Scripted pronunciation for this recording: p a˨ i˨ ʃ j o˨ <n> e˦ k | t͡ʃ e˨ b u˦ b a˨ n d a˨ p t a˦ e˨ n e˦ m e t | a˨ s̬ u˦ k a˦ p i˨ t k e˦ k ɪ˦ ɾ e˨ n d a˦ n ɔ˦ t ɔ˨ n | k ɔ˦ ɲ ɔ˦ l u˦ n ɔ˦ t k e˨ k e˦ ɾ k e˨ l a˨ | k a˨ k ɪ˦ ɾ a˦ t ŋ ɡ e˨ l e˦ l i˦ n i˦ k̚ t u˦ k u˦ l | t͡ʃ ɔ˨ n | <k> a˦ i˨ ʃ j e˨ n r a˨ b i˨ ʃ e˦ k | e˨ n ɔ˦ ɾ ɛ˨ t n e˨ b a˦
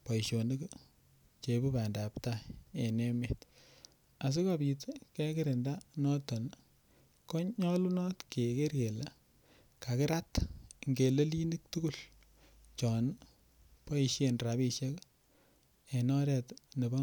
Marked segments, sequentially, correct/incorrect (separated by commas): correct, incorrect